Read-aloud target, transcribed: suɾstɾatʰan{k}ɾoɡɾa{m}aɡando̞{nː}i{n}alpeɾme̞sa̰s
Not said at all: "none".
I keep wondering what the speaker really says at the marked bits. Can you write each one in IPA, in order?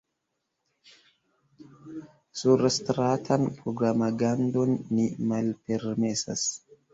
p, m, nː, m

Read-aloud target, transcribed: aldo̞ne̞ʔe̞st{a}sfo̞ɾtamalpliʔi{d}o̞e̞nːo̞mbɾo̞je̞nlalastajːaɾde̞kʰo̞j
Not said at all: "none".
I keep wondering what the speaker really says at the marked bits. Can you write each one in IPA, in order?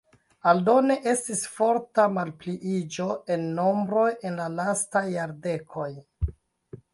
i, d͡ʒ

